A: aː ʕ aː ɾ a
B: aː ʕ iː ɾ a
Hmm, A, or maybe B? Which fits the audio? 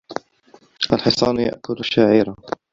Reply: B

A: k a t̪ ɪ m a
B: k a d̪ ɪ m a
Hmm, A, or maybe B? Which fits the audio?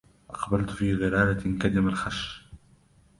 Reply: B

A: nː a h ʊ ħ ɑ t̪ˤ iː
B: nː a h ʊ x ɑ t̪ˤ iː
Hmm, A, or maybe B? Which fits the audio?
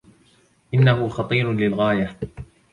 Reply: B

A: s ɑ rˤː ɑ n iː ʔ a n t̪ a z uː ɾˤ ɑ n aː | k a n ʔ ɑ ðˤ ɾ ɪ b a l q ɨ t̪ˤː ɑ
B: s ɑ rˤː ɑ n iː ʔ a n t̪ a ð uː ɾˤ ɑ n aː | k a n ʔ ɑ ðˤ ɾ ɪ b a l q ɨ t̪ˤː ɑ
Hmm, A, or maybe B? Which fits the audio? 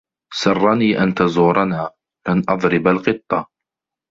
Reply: A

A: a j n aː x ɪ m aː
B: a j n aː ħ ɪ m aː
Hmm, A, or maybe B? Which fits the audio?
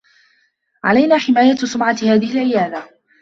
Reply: B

